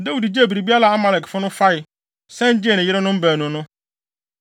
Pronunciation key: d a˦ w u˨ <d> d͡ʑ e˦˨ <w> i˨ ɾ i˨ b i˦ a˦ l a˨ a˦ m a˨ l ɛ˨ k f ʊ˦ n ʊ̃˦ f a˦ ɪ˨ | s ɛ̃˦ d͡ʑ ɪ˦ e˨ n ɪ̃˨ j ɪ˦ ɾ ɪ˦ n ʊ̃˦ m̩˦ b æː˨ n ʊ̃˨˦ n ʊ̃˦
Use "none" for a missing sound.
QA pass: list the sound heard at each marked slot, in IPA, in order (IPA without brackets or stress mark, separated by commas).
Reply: d, b